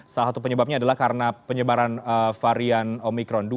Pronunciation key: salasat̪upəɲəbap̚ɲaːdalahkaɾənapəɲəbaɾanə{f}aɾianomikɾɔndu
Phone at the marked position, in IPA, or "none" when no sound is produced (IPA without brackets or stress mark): f